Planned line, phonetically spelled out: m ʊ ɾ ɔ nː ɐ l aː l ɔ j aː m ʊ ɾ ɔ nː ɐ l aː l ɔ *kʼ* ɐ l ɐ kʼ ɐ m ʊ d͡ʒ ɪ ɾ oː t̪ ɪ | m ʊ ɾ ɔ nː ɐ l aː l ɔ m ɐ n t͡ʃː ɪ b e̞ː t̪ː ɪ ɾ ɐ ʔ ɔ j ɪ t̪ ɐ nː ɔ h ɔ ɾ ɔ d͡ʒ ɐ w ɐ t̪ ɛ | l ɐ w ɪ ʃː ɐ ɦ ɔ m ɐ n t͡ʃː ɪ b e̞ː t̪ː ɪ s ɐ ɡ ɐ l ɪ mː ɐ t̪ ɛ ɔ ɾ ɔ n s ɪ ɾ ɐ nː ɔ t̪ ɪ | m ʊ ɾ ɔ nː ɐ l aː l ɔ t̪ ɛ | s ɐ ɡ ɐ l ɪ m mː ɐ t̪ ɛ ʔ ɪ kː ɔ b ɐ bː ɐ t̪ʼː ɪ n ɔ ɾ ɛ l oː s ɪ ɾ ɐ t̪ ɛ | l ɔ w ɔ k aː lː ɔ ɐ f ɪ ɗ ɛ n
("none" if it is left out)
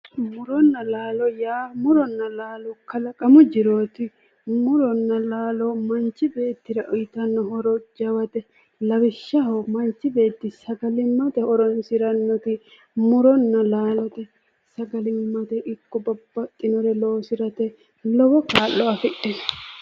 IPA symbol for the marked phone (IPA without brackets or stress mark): k